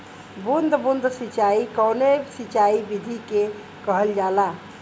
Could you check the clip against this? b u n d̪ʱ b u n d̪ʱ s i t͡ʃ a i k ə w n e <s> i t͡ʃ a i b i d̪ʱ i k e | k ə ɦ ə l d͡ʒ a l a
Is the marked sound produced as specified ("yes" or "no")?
yes